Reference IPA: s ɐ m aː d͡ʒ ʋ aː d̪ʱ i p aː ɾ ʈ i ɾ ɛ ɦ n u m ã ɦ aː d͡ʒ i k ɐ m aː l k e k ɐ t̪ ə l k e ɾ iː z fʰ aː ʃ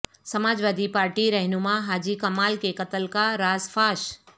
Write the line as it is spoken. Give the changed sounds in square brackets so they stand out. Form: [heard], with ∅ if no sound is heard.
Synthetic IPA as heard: s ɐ m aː d͡ʒ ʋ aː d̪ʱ i p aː ɾ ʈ i ɾ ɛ ɦ n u m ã ɦ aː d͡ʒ i k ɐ m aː l k e k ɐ t̪ ə l k [a] ɾ [aː] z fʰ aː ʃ